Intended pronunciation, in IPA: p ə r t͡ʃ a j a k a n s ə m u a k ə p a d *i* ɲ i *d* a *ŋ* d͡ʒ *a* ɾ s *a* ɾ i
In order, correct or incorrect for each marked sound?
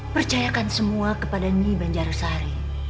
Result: incorrect: a, incorrect: b, incorrect: ɲ, correct, correct

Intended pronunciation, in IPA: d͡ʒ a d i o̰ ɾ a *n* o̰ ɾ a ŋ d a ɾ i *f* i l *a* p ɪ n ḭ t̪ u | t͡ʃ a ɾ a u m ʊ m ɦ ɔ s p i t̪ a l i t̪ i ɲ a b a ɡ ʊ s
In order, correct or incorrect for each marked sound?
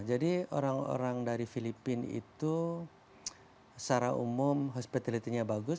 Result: incorrect: ŋ, correct, incorrect: i

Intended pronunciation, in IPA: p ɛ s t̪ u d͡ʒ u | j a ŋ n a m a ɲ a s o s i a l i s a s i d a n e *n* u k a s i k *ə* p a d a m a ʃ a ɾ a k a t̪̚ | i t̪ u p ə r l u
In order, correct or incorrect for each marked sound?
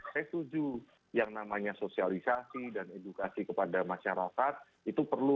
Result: incorrect: d, correct

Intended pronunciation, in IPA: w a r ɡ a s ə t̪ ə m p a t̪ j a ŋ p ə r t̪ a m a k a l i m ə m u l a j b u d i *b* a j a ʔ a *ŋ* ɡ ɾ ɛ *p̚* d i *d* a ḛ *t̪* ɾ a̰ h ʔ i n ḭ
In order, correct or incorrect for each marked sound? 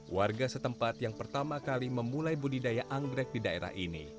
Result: incorrect: d, correct, incorrect: k̚, correct, incorrect: none

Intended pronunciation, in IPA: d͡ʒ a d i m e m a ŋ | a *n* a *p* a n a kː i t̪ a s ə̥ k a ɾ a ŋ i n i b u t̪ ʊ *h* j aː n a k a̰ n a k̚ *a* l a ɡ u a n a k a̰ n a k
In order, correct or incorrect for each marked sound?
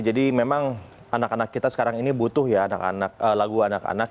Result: correct, incorrect: k, correct, incorrect: ə

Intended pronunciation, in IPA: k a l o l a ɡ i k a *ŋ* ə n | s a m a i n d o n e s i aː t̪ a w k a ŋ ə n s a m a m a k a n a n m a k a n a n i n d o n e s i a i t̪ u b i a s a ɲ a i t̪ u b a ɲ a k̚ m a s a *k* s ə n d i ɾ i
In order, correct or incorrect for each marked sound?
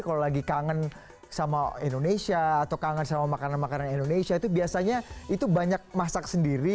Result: correct, correct

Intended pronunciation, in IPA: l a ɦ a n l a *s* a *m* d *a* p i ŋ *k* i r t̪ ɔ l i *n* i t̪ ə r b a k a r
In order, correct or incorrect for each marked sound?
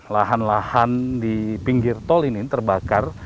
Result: incorrect: h, incorrect: n, incorrect: i, incorrect: ɡ, correct

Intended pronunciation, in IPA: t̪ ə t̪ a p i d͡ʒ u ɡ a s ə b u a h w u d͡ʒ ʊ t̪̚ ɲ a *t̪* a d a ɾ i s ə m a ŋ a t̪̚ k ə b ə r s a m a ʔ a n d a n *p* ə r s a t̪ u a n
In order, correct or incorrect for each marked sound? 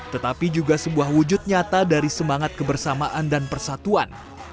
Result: correct, correct

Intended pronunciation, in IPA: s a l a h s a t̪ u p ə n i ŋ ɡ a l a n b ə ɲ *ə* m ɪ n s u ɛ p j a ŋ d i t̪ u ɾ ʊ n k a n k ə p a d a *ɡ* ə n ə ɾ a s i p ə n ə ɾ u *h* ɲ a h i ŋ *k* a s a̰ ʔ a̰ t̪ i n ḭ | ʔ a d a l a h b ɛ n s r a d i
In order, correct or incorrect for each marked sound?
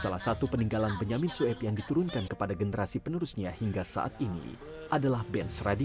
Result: incorrect: a, correct, incorrect: s, incorrect: ɡ

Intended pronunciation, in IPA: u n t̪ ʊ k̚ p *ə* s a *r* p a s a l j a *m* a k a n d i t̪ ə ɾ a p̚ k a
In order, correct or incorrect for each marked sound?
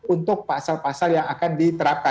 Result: incorrect: a, incorrect: l, incorrect: ŋ

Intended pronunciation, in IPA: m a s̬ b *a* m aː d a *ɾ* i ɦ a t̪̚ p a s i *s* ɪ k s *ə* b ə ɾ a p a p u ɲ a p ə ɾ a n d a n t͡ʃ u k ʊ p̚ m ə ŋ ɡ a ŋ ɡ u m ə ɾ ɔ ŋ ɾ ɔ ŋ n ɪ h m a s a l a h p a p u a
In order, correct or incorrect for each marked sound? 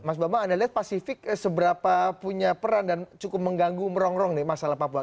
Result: correct, incorrect: l, incorrect: f, correct

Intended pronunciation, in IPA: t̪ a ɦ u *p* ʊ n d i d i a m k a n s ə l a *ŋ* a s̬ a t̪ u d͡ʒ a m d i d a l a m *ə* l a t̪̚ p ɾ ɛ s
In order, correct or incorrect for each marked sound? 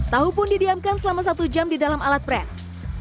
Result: correct, incorrect: m, incorrect: a

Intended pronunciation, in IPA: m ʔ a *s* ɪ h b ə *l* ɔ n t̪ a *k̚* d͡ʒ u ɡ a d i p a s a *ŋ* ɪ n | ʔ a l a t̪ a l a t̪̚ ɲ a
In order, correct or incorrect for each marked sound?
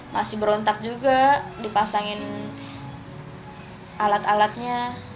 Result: correct, incorrect: ɾ, correct, correct

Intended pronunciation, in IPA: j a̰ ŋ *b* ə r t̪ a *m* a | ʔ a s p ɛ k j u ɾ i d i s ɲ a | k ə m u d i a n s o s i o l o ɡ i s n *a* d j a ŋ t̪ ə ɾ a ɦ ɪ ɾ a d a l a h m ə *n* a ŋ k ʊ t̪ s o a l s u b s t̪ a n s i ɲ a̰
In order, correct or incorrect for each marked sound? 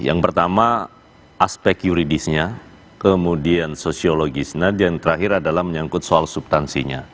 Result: incorrect: p, correct, correct, incorrect: ɲ

